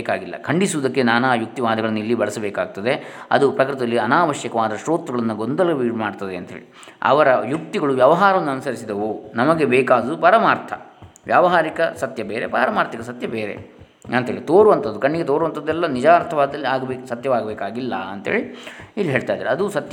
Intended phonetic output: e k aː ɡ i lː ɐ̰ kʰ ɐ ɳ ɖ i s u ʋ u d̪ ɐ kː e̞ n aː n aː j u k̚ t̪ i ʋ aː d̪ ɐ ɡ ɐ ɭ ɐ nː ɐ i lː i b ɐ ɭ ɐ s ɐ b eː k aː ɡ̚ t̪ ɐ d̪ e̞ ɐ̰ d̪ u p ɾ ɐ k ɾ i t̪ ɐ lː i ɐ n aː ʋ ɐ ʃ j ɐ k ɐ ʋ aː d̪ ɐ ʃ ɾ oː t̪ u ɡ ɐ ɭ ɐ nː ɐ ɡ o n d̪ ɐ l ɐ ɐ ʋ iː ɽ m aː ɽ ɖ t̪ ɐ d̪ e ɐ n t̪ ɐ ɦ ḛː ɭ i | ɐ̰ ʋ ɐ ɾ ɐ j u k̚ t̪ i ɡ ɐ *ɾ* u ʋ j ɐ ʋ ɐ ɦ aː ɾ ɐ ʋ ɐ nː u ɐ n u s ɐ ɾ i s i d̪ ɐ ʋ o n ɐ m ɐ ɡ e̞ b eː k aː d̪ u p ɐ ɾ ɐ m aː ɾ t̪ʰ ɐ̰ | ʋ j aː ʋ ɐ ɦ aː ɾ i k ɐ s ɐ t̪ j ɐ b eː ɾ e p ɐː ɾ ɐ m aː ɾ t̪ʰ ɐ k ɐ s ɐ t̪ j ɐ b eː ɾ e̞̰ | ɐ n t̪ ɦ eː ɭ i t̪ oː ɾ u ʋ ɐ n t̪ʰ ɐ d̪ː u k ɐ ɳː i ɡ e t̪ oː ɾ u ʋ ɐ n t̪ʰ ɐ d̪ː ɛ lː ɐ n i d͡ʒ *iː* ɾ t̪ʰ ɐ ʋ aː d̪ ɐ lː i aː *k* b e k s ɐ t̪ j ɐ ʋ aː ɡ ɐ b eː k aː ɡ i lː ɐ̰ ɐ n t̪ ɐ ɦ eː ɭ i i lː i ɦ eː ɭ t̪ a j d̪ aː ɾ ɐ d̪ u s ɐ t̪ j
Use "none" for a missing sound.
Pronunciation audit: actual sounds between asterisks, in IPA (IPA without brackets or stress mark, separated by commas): ɭ, aː, ɡ